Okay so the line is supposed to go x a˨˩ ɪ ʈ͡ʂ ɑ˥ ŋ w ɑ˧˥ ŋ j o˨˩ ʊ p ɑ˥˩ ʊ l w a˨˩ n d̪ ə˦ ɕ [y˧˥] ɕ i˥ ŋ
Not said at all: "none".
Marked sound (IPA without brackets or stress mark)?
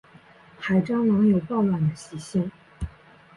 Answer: i˧˥